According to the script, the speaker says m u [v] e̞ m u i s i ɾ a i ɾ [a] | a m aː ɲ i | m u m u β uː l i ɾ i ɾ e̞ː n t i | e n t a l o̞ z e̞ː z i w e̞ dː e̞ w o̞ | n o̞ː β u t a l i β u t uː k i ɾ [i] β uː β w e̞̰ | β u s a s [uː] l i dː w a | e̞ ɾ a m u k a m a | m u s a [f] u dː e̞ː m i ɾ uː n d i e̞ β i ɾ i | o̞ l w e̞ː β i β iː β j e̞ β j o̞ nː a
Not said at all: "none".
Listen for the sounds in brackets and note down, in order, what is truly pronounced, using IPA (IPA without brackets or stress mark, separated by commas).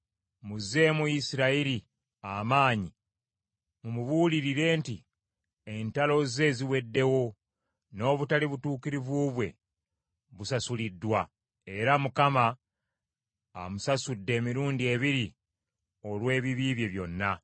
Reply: z, i, i, u, s